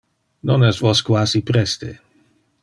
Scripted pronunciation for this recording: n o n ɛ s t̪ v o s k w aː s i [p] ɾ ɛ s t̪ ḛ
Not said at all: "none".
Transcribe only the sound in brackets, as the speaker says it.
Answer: p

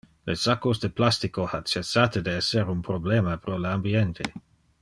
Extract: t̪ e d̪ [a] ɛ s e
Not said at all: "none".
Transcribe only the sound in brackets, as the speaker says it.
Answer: e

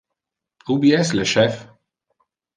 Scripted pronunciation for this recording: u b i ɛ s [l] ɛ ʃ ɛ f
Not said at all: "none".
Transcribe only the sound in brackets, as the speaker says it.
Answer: l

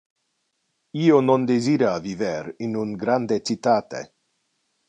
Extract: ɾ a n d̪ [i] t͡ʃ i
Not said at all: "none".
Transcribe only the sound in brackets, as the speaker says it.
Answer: e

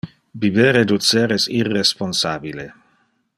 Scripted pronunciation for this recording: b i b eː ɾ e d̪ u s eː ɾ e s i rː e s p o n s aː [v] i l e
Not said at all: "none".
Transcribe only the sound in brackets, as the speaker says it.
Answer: b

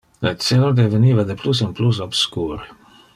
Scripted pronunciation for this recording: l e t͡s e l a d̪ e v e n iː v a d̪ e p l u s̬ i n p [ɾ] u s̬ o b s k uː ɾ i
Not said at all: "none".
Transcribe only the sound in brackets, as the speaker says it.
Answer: l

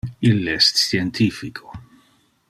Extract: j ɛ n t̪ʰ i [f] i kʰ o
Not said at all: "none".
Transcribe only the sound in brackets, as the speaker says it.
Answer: f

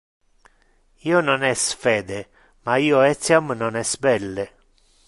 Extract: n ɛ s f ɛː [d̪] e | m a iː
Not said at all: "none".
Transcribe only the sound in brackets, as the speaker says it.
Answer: d̪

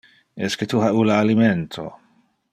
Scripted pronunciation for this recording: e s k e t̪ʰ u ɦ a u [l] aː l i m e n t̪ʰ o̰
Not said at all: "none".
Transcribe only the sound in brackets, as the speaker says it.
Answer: l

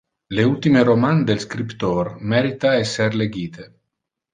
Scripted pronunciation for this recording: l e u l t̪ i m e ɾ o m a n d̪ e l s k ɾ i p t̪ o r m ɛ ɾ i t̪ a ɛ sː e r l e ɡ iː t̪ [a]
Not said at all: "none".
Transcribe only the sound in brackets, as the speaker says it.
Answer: e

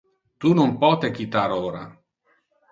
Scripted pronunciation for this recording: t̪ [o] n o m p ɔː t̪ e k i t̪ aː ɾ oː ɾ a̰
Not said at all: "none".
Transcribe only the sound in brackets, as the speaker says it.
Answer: u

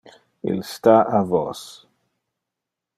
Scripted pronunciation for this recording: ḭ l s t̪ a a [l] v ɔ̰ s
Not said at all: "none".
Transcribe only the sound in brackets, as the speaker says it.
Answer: none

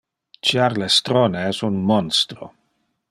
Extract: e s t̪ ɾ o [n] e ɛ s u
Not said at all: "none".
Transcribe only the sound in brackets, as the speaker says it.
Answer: n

